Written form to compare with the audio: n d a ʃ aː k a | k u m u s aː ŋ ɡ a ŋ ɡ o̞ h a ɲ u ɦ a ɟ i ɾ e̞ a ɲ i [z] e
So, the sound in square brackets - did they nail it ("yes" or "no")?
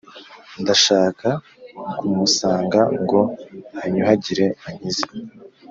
yes